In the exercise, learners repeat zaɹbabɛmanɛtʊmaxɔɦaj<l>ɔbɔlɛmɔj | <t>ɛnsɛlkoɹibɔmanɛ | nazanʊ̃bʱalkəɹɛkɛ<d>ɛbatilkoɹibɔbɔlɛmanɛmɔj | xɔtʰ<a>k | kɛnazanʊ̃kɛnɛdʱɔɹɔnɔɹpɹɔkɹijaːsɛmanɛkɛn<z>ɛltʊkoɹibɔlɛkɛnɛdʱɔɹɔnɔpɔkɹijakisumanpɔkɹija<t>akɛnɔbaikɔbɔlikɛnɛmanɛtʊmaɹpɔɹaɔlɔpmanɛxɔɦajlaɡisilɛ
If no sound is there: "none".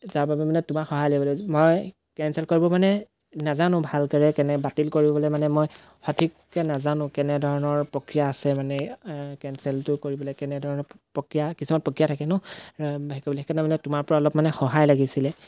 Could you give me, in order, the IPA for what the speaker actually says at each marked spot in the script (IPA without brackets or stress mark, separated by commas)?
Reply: l, k, n, i, s, tʰ